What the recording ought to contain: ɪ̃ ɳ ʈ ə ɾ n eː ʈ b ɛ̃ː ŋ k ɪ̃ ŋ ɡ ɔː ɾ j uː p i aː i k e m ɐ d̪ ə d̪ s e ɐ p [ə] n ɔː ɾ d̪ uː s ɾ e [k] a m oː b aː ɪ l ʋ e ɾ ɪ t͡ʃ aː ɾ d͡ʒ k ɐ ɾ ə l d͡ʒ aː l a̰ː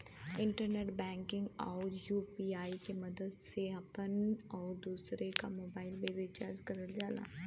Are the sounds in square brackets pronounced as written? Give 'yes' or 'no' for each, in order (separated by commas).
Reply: yes, yes